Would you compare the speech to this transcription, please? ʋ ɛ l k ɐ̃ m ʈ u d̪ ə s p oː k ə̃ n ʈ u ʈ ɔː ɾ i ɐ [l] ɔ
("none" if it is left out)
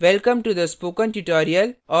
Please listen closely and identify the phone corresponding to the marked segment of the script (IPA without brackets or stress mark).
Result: l